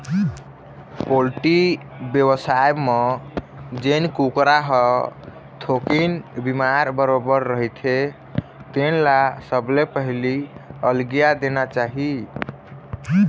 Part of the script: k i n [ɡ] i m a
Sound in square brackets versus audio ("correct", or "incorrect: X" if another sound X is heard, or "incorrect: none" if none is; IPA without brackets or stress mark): incorrect: b